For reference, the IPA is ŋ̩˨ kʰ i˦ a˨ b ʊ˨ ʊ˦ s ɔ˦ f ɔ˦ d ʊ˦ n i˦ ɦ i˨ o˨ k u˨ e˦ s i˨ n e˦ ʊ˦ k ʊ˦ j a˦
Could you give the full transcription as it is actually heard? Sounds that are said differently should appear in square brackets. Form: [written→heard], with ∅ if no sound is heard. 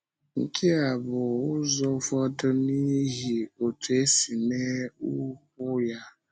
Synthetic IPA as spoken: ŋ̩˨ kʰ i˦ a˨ b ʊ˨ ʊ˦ [s→z] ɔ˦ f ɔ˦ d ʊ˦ n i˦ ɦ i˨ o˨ [k→t] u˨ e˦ s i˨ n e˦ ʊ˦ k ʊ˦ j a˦